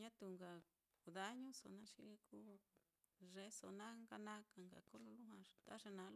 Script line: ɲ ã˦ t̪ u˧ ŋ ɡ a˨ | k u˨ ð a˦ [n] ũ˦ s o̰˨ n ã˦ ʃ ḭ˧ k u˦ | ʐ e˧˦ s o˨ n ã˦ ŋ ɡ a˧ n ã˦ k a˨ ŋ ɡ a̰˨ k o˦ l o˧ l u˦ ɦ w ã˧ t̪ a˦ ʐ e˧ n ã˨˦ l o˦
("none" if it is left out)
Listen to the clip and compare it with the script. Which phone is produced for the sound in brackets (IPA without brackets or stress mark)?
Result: ɲ